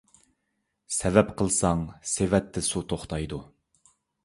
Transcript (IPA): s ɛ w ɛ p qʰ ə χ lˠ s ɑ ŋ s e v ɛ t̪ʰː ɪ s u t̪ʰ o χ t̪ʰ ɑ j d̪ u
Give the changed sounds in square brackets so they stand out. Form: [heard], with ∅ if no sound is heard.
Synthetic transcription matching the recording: s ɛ [v] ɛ p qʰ ə [∅] lˠ s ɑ ŋ s e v ɛ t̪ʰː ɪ s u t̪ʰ o χ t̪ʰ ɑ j d̪ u